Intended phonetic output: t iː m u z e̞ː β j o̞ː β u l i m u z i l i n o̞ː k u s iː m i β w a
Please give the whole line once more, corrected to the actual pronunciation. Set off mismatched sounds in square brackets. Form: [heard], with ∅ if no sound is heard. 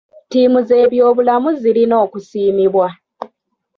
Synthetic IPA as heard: t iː m u z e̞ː β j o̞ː β u l [a] m u z i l i n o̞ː k u s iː m i β w a